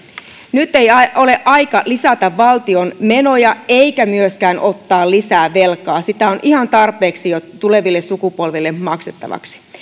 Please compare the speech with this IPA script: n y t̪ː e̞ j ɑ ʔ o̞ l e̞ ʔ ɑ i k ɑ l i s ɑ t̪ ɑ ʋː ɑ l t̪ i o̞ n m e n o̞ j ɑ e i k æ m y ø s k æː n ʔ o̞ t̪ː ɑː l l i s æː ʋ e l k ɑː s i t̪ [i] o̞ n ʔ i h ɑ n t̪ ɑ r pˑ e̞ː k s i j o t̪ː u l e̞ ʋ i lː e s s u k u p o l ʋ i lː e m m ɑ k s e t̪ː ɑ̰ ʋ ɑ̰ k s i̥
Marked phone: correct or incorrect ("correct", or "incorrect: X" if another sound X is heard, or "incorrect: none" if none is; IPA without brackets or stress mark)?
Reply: incorrect: æ